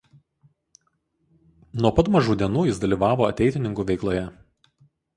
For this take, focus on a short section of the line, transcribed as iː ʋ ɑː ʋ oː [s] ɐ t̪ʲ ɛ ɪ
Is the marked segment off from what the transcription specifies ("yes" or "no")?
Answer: yes